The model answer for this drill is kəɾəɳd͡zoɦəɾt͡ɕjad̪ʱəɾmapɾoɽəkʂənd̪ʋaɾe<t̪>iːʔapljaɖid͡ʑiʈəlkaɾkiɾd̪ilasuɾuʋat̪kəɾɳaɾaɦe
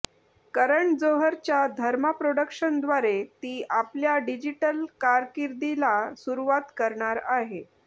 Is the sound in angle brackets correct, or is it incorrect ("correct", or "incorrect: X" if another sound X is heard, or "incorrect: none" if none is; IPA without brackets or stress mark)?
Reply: correct